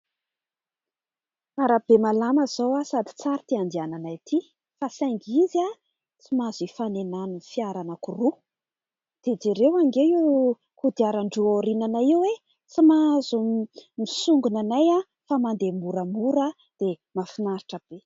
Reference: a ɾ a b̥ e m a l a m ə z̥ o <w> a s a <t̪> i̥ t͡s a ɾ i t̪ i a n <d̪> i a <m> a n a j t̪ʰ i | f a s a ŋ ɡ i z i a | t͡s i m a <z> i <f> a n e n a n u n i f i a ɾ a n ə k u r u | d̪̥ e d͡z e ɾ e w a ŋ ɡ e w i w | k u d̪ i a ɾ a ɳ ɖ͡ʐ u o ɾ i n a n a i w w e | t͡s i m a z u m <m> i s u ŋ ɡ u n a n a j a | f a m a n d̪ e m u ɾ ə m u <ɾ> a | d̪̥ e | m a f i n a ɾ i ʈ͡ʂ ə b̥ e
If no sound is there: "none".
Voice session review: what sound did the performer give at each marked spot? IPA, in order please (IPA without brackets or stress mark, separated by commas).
w, d̪, d̪, n, z, f, m, ɾ